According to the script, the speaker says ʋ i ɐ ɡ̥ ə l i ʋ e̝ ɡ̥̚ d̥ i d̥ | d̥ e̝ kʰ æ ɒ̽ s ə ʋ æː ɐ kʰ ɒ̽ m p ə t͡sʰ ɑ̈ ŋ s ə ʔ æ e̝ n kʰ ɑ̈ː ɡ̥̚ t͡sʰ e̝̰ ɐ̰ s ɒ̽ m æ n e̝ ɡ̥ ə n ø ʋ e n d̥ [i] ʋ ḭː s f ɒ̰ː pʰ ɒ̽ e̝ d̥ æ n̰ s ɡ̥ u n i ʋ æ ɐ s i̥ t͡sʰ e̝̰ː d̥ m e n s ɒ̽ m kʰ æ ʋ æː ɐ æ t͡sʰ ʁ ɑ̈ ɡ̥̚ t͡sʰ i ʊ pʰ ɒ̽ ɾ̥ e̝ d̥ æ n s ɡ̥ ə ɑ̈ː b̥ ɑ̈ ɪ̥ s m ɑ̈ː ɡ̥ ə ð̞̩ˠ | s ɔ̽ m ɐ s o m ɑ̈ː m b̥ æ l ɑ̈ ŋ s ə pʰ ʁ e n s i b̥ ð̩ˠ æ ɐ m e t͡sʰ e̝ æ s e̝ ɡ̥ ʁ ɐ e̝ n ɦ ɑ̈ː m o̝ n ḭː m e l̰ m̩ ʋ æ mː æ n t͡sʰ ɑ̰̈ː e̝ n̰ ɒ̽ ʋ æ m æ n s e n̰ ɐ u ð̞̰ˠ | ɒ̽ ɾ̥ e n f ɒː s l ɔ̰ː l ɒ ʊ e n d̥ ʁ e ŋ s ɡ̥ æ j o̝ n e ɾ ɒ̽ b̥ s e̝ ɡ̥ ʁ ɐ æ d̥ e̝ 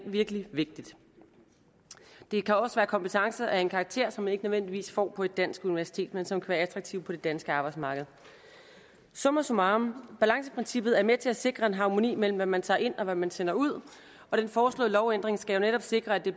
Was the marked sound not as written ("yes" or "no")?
no